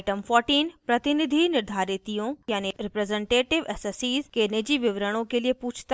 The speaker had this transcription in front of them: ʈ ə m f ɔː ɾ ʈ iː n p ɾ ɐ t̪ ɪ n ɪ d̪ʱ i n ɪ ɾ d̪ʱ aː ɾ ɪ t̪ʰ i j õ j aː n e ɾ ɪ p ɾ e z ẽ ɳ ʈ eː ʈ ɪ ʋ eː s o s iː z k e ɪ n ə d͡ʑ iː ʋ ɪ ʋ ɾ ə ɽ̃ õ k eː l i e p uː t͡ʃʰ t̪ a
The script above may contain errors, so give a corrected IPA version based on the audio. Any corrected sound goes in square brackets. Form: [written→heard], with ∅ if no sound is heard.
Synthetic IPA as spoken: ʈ ə m f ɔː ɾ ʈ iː n p ɾ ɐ t̪ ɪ n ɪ d̪ʱ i n ɪ ɾ d̪ʱ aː ɾ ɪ [t̪ʰ→t̪] i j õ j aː n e ɾ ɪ p ɾ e z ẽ ɳ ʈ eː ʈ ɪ ʋ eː s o s iː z k e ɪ n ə d͡ʑ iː ʋ ɪ ʋ ɾ ə ɽ̃ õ k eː l i e p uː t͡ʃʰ t̪ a